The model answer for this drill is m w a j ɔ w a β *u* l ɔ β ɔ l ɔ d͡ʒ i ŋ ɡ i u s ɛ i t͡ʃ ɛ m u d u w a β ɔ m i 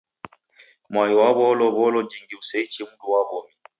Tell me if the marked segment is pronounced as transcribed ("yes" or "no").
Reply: no